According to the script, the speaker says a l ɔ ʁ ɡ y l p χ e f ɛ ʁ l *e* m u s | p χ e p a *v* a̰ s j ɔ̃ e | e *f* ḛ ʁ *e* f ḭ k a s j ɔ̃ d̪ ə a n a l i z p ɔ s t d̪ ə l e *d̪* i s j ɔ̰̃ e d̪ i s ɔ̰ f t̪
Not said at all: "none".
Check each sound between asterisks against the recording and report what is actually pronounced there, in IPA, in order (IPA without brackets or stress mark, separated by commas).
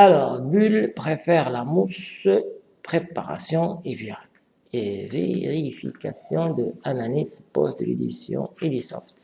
a, ʁ, v, i, d̪